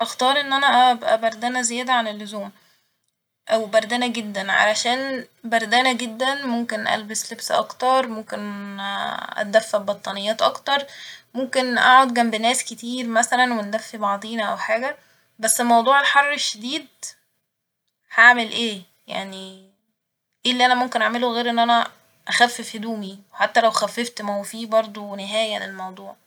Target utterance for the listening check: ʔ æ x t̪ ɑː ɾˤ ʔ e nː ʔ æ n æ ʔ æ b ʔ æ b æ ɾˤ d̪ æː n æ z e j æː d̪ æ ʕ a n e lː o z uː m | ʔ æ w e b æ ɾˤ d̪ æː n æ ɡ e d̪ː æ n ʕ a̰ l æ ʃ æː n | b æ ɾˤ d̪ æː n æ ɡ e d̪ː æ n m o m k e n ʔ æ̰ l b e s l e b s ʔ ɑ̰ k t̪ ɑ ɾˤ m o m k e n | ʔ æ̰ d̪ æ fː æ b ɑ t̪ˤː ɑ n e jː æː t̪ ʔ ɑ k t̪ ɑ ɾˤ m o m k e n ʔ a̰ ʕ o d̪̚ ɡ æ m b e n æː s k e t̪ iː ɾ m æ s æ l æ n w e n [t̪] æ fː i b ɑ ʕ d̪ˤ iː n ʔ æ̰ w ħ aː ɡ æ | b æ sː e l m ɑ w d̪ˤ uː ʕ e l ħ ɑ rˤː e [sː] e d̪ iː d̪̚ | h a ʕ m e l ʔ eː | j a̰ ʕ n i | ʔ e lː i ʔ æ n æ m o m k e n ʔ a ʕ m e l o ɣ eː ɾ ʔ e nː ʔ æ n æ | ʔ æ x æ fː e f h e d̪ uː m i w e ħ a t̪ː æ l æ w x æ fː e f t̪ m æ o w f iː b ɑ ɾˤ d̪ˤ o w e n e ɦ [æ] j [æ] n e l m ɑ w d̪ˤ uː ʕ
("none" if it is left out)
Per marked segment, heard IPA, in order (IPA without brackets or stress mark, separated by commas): d̪, ʃː, æː, æ